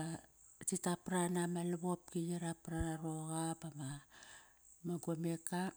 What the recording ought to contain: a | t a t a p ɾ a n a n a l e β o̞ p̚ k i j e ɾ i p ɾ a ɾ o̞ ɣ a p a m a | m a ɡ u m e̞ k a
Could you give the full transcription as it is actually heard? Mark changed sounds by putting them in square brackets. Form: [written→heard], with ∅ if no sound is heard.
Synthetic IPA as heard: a | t [a→i] t a p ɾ a n a [n→m] a l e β o̞ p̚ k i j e ɾ [i→a] p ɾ a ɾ o̞ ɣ a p a m a | m a ɡ [u→o] m e̞ k a